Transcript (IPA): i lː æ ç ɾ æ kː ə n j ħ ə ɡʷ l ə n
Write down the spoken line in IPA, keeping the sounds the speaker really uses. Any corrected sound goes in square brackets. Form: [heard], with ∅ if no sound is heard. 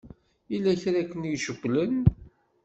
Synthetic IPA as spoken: i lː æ ç ɾ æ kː ə n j [ʃ] ə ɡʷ l ə n